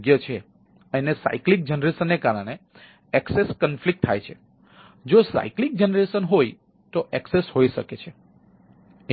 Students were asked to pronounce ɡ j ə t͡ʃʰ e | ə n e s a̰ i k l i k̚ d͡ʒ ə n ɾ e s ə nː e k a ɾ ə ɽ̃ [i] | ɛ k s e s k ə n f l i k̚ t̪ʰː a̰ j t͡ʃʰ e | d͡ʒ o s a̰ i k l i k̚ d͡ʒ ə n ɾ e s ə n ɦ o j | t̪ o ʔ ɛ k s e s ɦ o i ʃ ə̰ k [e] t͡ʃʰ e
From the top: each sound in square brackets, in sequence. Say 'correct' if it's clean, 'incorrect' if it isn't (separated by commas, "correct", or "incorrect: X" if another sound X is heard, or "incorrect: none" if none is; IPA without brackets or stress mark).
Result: incorrect: e, correct